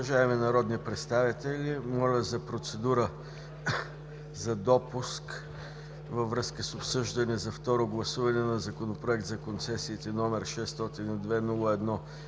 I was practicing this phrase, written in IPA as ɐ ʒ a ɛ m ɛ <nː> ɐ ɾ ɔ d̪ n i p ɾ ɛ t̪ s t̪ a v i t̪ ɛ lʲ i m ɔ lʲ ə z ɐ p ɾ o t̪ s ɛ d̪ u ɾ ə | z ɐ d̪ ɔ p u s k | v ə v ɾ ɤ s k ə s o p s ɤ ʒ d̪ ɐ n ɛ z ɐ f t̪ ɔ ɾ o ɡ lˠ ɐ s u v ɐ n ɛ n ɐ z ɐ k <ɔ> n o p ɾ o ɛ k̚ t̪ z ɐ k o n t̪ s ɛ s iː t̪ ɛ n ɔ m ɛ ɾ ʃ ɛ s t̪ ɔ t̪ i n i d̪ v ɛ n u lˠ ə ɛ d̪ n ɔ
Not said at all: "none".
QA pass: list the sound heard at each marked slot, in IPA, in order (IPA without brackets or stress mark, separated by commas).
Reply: n, o